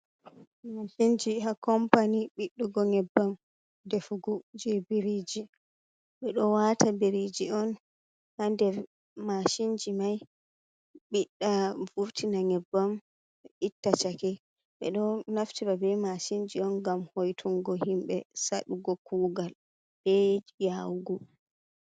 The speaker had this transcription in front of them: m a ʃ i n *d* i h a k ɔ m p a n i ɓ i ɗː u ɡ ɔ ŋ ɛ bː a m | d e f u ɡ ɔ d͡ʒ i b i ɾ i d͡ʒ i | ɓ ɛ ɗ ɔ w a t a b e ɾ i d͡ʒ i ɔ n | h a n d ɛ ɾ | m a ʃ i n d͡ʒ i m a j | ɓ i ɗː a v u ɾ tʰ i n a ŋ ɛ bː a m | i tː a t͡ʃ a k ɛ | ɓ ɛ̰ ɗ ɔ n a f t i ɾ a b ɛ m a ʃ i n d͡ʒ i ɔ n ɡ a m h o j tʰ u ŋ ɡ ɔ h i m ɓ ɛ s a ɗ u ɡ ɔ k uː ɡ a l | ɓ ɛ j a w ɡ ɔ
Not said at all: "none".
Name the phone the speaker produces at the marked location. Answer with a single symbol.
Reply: d͡ʒ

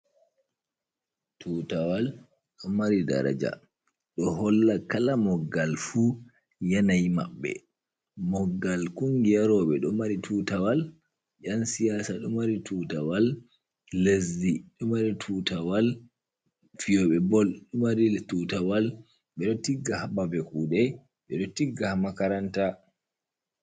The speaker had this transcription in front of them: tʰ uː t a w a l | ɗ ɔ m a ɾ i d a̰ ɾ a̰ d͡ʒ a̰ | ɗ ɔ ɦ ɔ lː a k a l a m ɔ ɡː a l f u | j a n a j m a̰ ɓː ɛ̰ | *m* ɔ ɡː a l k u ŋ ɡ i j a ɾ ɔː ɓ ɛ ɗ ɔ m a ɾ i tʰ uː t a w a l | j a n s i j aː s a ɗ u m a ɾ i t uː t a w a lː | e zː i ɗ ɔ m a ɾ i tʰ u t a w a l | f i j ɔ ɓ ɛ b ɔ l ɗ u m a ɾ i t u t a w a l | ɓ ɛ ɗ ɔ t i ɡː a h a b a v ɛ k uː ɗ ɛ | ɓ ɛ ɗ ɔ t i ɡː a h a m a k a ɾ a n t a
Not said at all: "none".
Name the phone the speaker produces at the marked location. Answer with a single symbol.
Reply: m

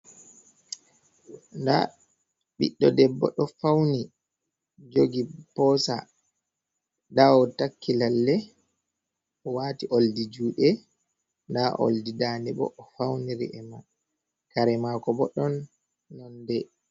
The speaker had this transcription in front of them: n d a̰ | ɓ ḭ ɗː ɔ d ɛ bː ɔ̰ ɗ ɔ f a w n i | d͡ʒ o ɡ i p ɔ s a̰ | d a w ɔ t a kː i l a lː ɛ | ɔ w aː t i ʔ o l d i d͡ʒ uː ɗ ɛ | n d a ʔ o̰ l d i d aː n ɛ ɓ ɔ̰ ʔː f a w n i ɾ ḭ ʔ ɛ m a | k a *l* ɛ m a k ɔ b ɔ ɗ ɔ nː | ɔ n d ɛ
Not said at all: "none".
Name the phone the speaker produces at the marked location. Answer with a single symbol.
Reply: ɾ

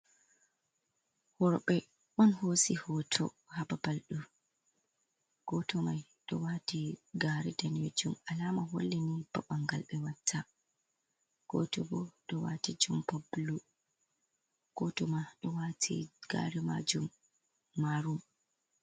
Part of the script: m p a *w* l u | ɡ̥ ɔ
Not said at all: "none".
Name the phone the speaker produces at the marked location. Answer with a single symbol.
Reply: b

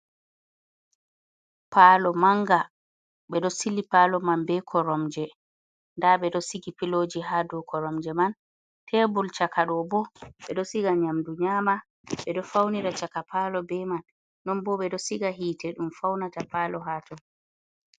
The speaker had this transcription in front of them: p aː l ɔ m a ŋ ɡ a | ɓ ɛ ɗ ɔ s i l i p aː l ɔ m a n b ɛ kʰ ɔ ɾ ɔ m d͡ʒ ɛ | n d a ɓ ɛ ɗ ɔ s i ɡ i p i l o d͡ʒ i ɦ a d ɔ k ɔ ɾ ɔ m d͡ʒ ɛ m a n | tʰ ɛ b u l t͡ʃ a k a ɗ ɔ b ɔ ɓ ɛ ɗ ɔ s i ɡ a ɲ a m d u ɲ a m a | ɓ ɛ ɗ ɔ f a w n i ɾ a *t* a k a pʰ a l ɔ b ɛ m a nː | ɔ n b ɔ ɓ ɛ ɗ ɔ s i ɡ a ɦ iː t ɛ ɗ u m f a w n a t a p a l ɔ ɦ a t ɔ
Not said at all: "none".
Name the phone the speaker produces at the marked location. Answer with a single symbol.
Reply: t͡ʃ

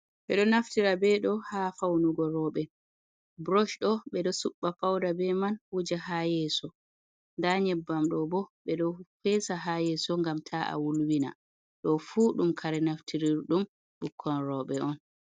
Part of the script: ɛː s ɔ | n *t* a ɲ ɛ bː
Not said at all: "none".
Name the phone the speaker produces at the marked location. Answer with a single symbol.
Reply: d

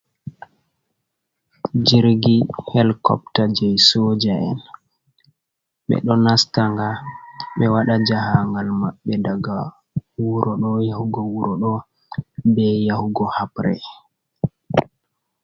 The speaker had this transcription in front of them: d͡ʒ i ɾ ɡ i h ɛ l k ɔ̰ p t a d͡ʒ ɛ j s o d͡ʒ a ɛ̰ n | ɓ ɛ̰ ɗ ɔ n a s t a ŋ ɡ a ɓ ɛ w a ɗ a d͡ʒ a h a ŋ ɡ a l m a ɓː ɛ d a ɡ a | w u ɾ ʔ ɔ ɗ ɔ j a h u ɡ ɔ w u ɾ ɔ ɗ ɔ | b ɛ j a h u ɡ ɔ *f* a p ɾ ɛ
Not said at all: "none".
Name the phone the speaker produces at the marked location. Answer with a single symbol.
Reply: h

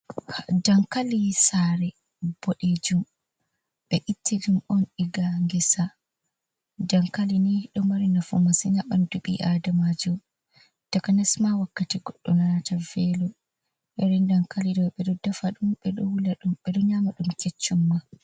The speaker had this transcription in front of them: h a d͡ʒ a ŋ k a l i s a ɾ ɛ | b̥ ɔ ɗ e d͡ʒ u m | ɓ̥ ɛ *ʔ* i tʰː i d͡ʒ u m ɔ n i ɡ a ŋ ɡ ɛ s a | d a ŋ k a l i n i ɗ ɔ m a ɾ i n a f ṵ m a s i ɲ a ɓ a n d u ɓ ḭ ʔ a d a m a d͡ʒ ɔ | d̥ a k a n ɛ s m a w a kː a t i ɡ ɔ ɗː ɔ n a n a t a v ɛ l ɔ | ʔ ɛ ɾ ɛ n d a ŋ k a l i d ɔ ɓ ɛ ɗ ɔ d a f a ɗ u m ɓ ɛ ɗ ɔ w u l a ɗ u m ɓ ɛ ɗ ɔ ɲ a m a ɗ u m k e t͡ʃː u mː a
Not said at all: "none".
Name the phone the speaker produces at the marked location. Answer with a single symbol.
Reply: ʔ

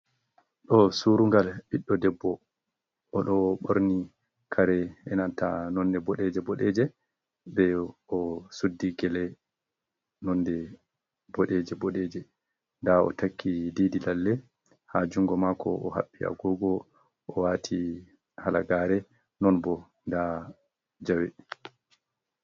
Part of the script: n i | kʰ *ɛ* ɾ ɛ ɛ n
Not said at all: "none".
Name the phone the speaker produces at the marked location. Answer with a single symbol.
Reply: a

